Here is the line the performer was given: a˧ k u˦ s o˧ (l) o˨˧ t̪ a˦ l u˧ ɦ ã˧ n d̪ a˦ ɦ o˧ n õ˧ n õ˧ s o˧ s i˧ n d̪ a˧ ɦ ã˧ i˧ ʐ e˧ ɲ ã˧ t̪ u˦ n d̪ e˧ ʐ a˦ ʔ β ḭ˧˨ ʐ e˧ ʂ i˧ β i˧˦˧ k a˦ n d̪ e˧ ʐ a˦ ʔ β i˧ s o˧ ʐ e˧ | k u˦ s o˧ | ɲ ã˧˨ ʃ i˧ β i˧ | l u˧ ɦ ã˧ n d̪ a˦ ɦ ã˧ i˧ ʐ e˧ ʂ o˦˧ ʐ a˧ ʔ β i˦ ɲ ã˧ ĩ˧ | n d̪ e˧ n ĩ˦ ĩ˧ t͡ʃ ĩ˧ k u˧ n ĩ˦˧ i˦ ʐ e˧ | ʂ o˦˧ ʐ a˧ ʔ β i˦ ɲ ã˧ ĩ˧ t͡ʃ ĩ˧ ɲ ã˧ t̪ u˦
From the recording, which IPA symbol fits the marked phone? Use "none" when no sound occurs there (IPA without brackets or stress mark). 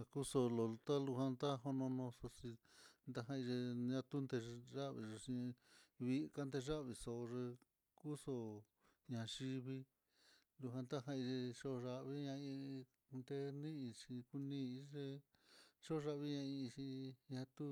l